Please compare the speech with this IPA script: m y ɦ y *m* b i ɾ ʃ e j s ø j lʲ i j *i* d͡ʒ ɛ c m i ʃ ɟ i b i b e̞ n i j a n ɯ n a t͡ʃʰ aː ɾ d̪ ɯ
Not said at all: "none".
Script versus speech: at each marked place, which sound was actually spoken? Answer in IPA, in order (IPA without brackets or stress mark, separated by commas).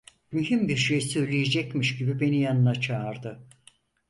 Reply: m, e